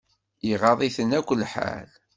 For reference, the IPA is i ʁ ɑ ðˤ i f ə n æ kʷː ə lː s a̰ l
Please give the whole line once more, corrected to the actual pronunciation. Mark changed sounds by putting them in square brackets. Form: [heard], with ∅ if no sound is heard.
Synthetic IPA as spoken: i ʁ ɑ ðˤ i [θ] ə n æ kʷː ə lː [ħ] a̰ l

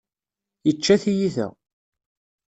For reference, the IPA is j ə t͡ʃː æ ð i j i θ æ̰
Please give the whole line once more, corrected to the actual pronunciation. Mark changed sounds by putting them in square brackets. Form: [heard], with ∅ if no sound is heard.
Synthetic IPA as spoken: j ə t͡ʃː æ [θ] i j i θ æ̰

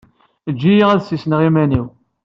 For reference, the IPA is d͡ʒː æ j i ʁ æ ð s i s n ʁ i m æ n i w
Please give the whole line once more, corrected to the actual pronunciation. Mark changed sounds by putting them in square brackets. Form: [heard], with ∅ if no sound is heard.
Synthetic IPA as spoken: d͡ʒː [i] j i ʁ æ ð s i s n ʁ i m æ n i w

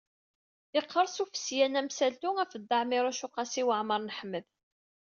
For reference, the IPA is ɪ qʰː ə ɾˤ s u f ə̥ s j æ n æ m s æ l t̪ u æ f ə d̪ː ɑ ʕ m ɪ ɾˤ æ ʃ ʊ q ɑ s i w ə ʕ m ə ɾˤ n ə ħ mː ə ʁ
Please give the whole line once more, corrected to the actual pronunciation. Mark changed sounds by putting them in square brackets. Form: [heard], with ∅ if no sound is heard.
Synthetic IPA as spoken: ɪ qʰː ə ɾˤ s u f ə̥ s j æ n æ m s æ l t̪ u æ f ə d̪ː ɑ ʕ m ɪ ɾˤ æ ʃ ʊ q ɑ s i w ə ʕ m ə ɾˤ n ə ħ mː ə [ð]

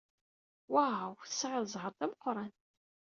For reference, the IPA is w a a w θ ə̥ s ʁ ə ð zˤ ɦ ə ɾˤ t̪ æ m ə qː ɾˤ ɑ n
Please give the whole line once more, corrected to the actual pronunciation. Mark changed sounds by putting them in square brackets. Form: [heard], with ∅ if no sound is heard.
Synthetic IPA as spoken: w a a w θ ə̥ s [ʕ] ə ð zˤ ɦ ə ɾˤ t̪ æ m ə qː ɾˤ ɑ n

